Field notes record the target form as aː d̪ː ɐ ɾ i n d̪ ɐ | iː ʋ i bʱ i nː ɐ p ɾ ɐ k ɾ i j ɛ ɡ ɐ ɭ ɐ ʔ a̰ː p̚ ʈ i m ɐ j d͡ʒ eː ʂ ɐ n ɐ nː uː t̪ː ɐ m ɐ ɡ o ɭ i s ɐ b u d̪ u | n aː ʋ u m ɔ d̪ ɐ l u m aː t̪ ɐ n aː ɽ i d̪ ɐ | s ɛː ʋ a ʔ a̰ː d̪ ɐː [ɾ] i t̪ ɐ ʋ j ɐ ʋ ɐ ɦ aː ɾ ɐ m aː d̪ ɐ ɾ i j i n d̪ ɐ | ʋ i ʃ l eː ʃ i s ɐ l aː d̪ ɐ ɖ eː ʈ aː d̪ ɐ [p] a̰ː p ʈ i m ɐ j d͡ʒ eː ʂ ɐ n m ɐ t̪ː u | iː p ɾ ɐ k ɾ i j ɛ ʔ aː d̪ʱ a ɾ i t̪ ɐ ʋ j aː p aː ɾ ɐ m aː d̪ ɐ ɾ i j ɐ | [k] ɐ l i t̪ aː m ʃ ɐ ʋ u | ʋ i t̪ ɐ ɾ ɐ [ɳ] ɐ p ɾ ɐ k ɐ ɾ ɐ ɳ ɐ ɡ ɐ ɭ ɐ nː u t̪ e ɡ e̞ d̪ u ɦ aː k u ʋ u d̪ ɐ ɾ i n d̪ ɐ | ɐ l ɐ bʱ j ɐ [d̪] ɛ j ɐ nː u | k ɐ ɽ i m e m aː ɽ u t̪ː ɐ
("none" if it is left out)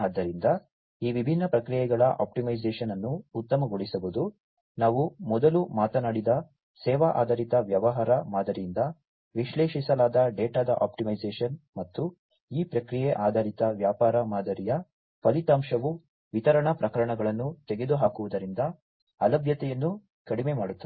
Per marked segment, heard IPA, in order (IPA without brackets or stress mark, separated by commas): ɾ, ʔ, p, ɳ, t̪